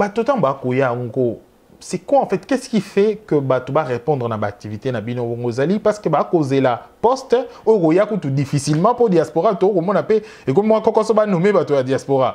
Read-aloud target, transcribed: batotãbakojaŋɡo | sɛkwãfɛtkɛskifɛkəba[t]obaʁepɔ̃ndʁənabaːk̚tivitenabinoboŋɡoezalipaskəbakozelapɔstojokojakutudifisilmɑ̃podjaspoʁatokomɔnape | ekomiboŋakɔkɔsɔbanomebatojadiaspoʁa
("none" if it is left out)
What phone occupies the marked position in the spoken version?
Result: t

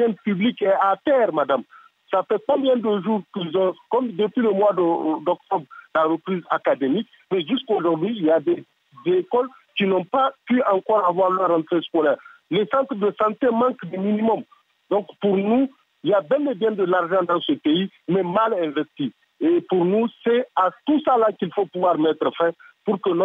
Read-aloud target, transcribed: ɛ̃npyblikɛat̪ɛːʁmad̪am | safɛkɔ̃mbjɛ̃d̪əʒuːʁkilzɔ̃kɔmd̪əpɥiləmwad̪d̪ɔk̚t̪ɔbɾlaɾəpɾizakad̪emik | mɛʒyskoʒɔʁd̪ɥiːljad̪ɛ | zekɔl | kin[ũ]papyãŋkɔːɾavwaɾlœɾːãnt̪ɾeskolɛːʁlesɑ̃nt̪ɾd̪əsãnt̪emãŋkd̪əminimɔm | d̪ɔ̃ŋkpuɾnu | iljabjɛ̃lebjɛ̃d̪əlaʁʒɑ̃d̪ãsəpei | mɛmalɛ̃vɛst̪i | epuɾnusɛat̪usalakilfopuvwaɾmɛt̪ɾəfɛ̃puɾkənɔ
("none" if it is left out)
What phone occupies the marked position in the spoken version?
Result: ɔ̃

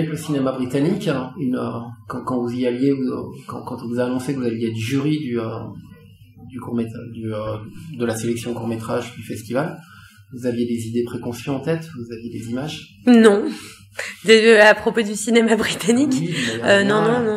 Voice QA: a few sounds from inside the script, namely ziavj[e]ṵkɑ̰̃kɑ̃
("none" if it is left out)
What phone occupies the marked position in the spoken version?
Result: e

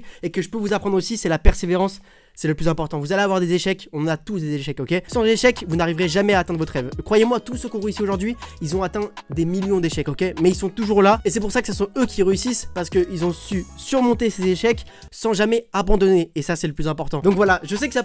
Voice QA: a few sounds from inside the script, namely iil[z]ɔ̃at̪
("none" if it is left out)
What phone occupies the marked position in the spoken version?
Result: z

